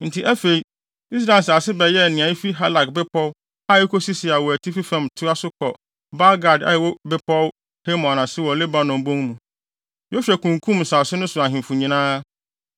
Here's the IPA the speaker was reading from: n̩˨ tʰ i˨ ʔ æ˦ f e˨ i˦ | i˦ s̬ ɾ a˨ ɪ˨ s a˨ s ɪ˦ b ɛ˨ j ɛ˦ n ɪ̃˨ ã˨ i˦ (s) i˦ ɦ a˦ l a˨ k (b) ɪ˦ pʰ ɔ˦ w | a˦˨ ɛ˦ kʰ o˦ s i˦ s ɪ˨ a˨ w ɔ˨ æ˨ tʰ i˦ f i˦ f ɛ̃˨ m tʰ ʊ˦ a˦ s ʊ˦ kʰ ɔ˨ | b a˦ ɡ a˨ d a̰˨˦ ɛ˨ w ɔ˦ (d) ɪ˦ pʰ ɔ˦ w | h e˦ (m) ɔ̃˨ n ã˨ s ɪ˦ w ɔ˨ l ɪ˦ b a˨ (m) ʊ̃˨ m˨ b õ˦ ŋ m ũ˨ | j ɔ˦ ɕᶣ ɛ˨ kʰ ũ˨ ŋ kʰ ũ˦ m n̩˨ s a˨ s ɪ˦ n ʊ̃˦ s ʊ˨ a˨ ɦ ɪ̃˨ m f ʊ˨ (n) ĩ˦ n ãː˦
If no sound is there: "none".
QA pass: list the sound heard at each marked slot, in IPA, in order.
f, b, b, m, n, ɲ

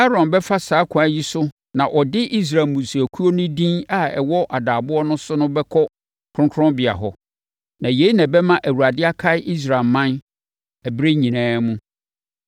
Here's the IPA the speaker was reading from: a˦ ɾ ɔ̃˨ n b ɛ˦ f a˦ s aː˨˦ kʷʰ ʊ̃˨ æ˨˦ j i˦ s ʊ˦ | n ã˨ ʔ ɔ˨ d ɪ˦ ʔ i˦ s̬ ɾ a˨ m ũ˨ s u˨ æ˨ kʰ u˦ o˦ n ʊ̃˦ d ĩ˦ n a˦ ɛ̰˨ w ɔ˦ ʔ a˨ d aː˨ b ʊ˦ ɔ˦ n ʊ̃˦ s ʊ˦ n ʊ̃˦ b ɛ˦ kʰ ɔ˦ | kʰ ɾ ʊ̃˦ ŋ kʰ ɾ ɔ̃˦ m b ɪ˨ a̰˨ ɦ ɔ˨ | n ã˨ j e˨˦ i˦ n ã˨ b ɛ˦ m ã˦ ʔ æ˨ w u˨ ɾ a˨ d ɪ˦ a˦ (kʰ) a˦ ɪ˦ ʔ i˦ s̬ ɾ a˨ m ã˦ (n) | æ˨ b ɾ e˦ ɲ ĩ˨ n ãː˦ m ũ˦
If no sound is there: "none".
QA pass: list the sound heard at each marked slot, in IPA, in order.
kʰ, n

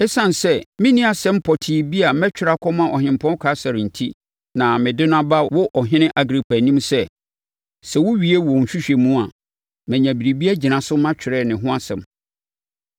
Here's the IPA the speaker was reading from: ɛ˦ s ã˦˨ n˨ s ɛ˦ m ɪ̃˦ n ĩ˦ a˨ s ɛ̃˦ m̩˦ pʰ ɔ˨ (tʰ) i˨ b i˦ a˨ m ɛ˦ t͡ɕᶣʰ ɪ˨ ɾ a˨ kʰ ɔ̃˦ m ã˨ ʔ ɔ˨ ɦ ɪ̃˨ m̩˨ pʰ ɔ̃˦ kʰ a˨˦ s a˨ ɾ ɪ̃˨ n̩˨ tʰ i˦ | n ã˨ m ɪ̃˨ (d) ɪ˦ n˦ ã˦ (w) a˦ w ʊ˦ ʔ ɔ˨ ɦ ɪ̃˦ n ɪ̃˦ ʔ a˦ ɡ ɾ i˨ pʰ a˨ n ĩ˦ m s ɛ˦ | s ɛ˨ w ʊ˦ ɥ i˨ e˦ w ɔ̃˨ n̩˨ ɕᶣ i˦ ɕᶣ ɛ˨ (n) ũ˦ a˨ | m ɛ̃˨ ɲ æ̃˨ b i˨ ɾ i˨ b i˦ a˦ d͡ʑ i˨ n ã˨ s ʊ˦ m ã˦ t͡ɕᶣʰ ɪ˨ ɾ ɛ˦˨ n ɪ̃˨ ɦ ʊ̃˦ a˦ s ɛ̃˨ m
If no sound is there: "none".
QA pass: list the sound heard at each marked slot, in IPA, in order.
tʰ, d, b, m

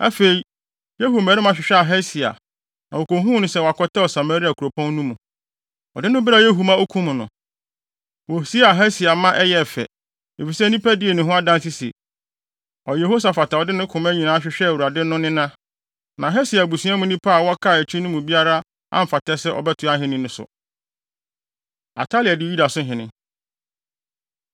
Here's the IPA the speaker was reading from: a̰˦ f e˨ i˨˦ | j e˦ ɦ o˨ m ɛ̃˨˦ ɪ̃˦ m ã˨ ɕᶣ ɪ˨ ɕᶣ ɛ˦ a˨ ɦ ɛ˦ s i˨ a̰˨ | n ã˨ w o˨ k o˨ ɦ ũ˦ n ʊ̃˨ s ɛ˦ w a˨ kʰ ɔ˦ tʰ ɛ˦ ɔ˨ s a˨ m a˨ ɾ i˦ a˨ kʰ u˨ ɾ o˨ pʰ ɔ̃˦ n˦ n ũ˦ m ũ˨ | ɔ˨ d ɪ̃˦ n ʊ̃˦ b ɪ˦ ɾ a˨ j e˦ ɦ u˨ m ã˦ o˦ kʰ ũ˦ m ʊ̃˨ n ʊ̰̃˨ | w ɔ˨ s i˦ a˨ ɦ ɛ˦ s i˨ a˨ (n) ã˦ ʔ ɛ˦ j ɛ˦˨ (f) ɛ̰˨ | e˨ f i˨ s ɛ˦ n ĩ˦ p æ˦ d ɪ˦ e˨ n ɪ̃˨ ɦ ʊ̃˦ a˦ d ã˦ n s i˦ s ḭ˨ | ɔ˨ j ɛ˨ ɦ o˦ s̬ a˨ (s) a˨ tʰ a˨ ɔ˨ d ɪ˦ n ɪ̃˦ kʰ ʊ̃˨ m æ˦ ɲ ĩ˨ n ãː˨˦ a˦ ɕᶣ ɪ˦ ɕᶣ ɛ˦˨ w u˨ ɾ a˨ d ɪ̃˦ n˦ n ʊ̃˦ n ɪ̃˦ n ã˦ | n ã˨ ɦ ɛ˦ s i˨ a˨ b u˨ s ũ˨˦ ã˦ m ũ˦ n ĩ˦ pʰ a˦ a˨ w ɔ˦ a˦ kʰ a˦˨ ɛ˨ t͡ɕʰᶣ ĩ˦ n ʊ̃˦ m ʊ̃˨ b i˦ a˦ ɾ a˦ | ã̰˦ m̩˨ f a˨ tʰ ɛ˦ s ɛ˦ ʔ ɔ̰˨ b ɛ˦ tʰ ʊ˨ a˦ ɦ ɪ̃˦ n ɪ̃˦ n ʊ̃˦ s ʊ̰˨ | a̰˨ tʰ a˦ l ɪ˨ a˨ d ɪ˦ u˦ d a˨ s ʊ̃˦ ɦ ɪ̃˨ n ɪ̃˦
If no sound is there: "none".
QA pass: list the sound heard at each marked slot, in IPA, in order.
m, f, f

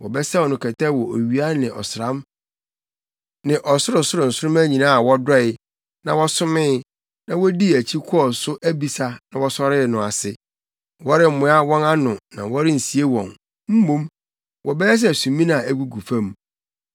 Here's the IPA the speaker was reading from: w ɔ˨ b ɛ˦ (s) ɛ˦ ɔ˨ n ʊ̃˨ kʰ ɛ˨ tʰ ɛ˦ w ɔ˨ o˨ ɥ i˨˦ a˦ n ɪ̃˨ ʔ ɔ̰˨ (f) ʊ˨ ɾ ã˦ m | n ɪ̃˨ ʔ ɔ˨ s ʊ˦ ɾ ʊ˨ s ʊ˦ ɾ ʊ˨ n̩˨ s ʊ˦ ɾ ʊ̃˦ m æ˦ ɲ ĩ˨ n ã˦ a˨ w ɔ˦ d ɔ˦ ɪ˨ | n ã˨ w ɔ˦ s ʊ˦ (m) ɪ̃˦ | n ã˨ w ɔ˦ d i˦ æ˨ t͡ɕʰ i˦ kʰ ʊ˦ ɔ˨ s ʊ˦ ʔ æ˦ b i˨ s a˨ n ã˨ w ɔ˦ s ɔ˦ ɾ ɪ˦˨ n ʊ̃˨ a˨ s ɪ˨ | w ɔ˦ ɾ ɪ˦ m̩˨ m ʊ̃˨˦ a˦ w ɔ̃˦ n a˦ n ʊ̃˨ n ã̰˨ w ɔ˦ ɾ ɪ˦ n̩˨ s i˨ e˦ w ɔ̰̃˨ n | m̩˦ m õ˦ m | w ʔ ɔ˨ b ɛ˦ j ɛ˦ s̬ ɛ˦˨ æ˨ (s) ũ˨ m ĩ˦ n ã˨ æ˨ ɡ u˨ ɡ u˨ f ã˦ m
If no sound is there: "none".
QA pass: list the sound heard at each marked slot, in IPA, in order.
s, s, m, s

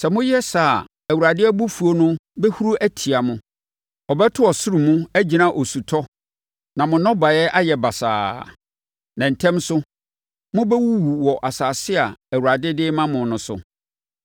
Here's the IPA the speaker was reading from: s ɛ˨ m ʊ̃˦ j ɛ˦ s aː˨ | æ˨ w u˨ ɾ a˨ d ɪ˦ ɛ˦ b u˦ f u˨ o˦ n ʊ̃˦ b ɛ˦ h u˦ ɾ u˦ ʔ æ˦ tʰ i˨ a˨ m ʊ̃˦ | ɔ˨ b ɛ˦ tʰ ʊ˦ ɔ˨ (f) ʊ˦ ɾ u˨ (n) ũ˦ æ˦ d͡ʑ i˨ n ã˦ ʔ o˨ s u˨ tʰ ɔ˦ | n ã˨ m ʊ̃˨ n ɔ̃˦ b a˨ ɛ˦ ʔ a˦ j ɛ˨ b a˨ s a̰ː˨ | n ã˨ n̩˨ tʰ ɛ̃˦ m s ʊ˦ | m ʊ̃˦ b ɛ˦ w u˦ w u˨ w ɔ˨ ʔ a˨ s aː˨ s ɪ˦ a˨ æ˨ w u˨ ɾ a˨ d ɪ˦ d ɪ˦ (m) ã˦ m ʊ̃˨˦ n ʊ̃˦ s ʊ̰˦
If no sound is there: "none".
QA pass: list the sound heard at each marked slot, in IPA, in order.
s, m, m

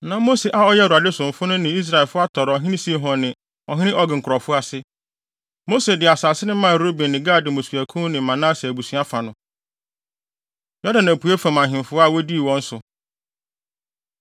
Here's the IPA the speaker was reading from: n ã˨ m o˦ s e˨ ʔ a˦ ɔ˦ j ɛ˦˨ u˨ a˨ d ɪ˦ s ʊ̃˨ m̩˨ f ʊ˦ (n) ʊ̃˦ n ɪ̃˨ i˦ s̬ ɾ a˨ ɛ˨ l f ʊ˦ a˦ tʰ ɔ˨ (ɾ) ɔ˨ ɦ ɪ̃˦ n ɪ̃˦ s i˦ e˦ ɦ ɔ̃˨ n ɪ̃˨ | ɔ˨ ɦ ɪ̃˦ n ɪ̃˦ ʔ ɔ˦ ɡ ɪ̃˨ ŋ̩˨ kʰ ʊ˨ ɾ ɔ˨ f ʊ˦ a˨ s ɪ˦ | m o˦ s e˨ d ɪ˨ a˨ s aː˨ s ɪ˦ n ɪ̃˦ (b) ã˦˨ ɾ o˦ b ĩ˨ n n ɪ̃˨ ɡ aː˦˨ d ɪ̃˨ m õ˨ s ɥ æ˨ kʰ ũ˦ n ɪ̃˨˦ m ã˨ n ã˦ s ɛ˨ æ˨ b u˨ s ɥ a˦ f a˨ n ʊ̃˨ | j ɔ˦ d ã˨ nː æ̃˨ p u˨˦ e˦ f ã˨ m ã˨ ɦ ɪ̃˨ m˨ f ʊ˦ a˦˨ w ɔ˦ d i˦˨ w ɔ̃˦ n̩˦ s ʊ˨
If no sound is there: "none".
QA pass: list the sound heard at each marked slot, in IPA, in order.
n, ɾ, m

